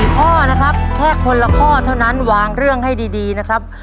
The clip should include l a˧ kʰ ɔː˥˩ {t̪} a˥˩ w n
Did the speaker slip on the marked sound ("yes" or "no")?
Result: yes